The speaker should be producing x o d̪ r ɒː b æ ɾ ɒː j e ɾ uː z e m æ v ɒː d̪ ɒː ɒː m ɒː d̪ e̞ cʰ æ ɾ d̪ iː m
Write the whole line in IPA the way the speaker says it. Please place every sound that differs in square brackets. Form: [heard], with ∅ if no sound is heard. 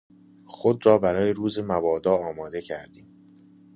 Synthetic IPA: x o d̪ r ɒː b æ ɾ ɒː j e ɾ uː z e m æ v ɒː d̪ ɒː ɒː m ɒː d̪ e̞ cʰ æ ɾ d̪ iː m

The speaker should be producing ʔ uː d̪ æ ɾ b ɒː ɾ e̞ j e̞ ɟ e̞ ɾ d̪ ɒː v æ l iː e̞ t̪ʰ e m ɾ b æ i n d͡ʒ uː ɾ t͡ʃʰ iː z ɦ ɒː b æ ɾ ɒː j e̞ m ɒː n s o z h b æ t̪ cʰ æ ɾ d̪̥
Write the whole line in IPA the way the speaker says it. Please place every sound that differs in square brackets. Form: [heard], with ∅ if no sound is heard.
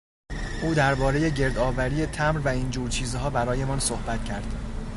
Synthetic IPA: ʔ uː d̪ æ ɾ b ɒː ɾ e̞ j e̞ ɟ e̞ ɾ d̪ ɒː v æ [ɾ] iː e̞ t̪ʰ [æ] m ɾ [v] æ i n d͡ʒ uː ɾ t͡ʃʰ iː z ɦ ɒː b æ ɾ ɒː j e̞ m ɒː n s o [∅] h b æ t̪ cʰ æ ɾ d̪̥

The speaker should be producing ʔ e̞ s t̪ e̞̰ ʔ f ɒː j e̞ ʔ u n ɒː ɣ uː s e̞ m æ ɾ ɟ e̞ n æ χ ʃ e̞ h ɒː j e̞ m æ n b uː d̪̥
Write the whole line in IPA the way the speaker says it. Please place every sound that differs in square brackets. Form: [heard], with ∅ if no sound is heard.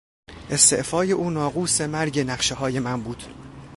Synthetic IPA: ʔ e̞ s t̪ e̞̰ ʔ f ɒː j e̞ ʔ [uː] n ɒː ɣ uː s e̞ m æ ɾ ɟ e̞ n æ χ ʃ e̞ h ɒː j e̞ m æ n b uː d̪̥

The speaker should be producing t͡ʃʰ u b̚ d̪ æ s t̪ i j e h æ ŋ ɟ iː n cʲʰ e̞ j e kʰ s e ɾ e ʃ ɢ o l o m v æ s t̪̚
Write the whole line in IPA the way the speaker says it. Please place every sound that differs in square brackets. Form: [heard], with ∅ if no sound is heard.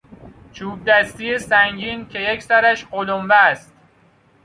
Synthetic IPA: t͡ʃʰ [uː] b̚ d̪ æ s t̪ i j e [s] æ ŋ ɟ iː n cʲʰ e̞ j e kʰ s [æ] ɾ [æ] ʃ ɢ o l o m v æ s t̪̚

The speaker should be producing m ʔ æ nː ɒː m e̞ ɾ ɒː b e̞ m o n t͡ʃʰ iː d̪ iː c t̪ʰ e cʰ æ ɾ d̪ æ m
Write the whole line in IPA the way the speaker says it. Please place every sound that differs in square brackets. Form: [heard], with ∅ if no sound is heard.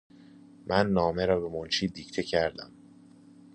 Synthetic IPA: m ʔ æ nː ɒː m e̞ ɾ ɒː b e̞ m o n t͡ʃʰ iː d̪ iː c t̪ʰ e cʰ æ ɾ d̪ æ m

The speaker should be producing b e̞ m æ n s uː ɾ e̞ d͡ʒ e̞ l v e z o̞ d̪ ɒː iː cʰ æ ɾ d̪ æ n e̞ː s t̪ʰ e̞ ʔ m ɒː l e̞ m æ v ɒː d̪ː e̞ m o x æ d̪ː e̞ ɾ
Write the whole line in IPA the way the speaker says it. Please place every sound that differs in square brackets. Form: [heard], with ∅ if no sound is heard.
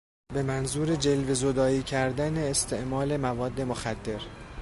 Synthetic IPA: b e̞ m æ n [z] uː ɾ e̞ d͡ʒ e̞ l v e z o̞ d̪ ɒː iː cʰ æ ɾ d̪ æ n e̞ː s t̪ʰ e̞ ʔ m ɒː l e̞ m æ v ɒː d̪ː e̞ m o x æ d̪ː e̞ ɾ

